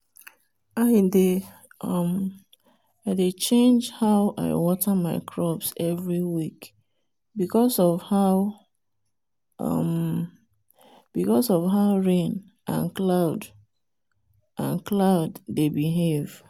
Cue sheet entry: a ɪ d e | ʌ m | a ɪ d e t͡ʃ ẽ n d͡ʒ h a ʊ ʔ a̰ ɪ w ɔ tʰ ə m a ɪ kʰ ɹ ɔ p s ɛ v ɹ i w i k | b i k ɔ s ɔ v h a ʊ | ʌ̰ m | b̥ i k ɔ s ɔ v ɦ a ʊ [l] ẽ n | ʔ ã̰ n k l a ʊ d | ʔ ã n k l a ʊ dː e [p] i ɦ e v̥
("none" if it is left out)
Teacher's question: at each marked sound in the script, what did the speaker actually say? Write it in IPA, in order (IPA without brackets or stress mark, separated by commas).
ɹ, b